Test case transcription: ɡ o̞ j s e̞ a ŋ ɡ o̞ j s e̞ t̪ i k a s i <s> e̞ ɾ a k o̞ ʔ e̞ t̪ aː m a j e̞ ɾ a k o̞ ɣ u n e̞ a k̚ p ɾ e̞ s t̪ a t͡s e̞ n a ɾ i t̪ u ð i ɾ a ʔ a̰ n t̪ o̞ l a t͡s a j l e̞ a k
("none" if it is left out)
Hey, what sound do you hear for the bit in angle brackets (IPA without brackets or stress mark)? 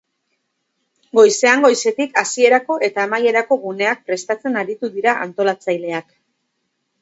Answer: none